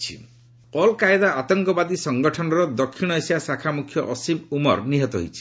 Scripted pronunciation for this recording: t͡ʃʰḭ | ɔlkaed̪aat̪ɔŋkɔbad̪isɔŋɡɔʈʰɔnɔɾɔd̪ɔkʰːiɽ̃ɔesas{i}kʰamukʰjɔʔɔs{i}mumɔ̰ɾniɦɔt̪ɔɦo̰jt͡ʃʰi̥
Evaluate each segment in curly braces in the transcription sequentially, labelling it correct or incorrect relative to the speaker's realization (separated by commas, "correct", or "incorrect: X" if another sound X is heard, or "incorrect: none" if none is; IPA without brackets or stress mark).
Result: incorrect: a, correct